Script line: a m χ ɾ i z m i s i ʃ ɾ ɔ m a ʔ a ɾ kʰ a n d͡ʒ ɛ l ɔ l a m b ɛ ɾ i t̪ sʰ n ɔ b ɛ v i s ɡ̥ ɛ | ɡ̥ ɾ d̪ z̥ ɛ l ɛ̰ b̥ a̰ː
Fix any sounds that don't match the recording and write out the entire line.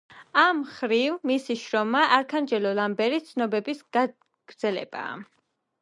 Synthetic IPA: a m χ ɾ i v m i s i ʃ ɾ ɔ m a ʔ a ɾ kʰ a n d͡ʒ ɛ l ɔ l a m b ɛ ɾ i t̪ sʰ n ɔ b ɛ b i s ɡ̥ a | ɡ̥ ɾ d̪ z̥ ɛ l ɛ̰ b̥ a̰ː